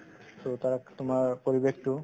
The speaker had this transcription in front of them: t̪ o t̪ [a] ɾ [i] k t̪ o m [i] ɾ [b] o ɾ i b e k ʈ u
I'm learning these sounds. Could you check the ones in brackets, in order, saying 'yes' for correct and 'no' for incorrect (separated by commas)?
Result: yes, no, no, no